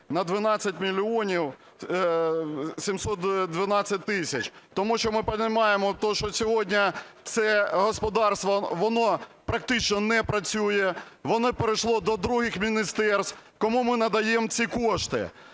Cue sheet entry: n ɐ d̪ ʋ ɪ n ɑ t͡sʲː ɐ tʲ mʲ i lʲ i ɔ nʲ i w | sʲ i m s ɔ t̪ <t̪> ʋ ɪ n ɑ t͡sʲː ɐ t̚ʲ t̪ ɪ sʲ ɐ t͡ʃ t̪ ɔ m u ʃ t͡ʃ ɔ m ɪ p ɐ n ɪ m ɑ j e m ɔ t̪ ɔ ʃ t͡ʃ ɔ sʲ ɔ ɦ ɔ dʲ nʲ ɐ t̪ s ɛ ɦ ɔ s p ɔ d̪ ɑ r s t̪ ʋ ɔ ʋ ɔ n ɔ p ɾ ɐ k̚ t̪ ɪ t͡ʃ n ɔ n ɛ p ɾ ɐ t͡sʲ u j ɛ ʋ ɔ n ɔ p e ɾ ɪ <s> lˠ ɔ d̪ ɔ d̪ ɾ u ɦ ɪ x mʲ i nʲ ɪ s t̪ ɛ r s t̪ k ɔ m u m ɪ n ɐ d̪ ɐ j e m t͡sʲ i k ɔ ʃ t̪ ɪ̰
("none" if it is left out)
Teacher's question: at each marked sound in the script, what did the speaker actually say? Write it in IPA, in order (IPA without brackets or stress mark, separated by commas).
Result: d̪, ʃ